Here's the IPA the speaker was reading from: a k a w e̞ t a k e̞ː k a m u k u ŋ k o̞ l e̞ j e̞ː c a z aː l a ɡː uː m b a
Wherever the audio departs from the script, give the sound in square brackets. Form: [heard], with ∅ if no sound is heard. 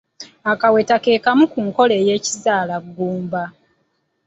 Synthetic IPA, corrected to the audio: a k a w e̞ t a k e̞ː k a m u k u ŋ k o̞ l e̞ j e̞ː c [i] z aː l a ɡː uː m b a